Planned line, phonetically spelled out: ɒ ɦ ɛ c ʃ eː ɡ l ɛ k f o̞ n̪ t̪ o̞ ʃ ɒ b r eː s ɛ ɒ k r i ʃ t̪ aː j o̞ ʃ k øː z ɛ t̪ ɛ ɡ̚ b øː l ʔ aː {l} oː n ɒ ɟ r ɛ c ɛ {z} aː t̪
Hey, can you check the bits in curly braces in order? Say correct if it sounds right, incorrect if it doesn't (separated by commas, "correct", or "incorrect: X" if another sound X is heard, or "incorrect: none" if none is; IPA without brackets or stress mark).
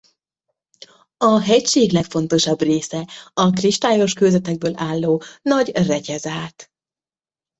incorrect: lː, correct